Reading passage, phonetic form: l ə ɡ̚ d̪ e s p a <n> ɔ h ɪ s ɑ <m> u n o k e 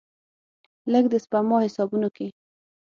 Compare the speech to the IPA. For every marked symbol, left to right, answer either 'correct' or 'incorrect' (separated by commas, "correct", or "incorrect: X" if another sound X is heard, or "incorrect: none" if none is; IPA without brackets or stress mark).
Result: incorrect: m, incorrect: b